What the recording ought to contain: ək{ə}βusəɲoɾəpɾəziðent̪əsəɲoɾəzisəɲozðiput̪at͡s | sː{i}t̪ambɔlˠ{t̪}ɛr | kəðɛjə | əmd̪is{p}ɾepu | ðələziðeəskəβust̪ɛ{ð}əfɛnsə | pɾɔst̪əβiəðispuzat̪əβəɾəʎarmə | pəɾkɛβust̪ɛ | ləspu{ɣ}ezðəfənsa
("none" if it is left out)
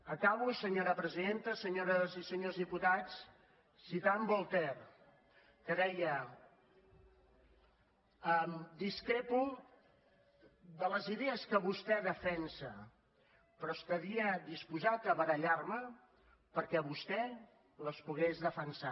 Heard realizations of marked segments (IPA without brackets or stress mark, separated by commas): a, i, t̪, k, ð, ɣ